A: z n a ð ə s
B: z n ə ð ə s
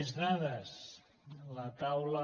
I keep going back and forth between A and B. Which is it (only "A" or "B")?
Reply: A